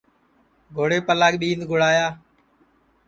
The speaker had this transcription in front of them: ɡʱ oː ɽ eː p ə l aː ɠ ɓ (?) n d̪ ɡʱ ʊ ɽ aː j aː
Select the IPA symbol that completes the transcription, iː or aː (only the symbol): iː